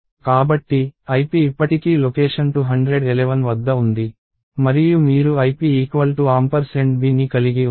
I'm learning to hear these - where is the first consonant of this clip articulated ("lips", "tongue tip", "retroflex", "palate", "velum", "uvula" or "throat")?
velum